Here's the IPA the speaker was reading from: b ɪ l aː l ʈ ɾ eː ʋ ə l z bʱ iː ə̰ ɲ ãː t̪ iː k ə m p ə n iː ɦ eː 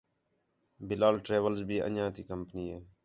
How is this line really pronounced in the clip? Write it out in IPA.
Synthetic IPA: b ɪ l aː l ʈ ɾ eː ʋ ə l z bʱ iː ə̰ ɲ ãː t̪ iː k ə m p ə n iː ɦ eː